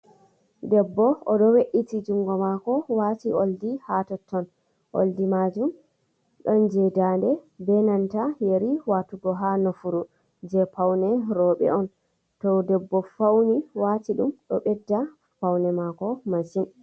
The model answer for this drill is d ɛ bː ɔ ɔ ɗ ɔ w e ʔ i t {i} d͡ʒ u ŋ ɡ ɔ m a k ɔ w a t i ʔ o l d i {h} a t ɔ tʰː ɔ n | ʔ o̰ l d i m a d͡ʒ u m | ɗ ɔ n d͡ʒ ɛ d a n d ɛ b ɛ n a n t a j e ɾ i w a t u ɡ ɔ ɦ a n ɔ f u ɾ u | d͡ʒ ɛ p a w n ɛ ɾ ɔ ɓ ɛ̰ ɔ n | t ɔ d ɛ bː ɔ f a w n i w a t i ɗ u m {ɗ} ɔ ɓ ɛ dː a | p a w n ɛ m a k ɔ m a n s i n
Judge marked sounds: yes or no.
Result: yes, yes, yes

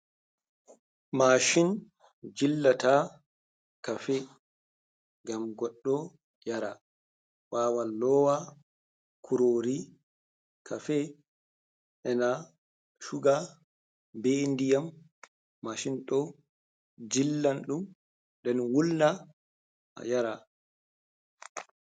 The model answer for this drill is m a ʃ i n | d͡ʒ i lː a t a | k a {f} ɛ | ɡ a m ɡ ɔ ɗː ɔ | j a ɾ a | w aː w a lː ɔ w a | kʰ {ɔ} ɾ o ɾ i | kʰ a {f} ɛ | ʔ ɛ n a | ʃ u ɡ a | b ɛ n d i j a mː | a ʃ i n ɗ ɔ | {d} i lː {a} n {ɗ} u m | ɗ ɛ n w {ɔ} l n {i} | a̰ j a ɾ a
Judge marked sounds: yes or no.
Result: yes, no, yes, no, yes, yes, no, no

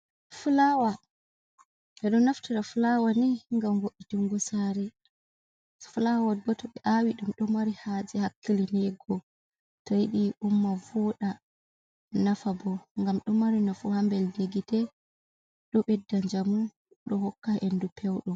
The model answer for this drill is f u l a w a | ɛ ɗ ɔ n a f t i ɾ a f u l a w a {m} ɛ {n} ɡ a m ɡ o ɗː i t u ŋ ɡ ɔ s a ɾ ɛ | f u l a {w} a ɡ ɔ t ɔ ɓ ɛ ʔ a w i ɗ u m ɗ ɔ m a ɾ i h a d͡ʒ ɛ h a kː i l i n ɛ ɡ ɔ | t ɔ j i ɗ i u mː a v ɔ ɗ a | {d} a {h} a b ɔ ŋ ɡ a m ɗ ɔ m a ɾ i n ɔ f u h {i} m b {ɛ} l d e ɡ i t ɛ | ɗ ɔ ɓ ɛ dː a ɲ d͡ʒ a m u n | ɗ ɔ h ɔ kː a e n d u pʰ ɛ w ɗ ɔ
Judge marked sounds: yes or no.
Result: no, no, yes, no, no, no, yes

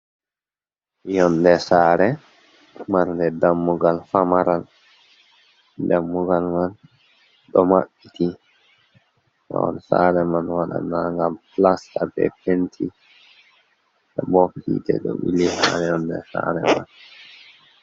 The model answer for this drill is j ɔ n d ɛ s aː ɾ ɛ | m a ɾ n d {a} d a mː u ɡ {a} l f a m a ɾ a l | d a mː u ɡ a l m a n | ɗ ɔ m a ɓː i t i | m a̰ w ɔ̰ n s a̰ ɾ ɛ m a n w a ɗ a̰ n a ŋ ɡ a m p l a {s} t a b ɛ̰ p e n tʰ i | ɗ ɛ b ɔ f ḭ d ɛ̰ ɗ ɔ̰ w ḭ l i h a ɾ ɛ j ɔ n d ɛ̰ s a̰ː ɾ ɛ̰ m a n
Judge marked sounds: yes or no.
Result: no, yes, yes

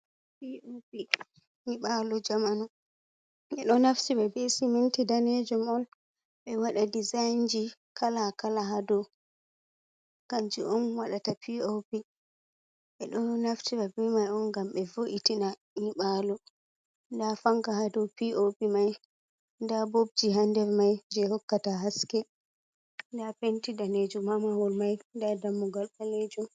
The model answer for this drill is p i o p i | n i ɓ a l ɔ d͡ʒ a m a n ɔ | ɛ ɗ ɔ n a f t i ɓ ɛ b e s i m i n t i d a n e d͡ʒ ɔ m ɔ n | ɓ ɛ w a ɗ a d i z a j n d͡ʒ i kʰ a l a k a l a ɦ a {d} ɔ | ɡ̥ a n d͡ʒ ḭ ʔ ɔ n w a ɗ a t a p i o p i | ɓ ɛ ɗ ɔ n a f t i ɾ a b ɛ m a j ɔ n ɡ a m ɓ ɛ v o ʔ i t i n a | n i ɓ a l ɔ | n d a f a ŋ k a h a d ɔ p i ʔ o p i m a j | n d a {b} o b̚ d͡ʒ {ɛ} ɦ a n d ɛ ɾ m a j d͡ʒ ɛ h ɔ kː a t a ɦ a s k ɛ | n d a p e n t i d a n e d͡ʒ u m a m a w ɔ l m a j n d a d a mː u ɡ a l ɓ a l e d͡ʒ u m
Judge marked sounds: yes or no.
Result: yes, yes, no

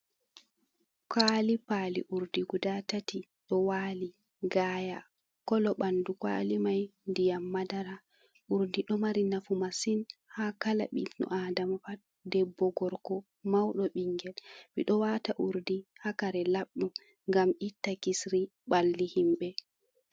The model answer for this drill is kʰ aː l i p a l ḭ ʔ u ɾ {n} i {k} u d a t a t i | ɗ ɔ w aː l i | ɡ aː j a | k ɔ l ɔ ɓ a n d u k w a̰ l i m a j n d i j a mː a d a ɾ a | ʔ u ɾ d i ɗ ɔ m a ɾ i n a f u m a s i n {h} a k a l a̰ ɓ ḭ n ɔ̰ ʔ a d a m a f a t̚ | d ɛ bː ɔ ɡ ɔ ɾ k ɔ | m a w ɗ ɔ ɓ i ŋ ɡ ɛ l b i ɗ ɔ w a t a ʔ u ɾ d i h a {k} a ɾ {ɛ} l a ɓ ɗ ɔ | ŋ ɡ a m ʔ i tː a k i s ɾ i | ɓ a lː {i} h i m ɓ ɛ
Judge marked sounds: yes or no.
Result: no, no, yes, yes, yes, yes

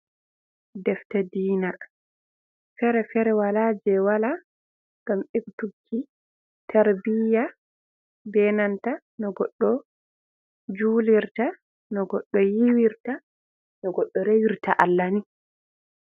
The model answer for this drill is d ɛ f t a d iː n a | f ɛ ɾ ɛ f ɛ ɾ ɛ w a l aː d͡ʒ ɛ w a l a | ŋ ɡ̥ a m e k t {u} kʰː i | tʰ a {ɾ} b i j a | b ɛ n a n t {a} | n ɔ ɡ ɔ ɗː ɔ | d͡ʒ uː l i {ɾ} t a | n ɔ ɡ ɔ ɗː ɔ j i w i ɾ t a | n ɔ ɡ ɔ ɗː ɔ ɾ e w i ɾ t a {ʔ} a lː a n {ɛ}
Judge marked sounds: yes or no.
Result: yes, yes, yes, yes, yes, no

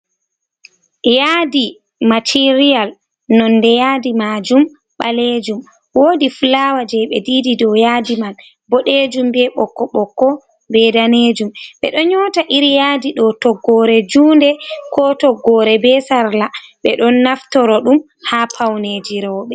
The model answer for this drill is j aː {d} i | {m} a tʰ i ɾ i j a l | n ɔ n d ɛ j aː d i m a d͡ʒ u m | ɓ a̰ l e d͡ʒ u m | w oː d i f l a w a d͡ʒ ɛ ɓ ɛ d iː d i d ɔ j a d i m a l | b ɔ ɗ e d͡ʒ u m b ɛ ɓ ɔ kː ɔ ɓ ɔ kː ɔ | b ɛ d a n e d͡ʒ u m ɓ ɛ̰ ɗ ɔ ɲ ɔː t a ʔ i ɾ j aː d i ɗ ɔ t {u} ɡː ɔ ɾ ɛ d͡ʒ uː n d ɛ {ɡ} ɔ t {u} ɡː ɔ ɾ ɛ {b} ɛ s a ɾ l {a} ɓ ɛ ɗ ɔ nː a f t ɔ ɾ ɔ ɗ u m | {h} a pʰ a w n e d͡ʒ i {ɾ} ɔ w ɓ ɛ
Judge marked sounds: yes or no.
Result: yes, yes, no, no, no, yes, yes, yes, yes

